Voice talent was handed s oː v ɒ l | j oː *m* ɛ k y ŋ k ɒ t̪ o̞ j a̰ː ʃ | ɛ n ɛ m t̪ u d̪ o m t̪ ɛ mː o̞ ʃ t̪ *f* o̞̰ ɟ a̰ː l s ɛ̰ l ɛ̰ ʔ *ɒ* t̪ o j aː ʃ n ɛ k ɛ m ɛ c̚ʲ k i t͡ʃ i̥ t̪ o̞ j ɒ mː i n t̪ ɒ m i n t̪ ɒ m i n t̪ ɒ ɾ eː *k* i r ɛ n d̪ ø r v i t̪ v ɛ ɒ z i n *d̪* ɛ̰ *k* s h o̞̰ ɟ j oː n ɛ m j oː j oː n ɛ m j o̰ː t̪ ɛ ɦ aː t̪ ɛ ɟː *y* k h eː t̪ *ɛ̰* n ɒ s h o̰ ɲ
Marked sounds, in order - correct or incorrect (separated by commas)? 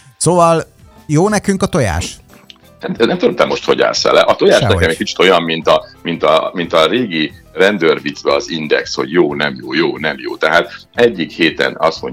incorrect, incorrect, correct, incorrect, correct, correct, incorrect, correct